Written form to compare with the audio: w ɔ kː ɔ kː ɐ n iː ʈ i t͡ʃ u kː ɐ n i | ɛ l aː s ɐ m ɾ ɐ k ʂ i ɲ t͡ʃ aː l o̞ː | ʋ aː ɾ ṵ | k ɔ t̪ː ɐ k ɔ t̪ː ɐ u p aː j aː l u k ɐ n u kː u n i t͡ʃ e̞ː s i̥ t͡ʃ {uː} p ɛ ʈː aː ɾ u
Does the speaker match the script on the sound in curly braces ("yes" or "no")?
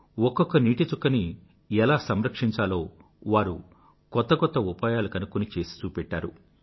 yes